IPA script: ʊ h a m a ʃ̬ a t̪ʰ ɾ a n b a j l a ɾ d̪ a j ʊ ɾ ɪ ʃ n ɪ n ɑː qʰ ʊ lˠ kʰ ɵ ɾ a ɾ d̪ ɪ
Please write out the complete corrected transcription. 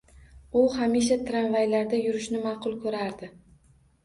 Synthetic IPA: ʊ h a m i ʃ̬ a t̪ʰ ɾ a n v a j l a ɾ d̪ a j ʊ ɾ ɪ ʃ n ɪ m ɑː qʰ ʊ lˠ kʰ ɵ ɾ a ɾ d̪ ɪ